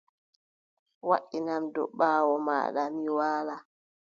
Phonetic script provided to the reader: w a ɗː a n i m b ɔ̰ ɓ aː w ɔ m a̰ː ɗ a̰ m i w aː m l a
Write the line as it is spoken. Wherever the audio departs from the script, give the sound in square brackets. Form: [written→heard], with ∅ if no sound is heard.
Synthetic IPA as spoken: w a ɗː [a→i] n [i→a] m [b→d] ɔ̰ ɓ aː w ɔ m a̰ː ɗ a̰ m i w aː [m→∅] l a